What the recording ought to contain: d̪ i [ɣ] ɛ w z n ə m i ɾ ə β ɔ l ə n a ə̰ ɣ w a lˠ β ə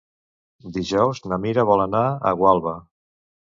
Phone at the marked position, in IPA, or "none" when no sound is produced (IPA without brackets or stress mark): ʒ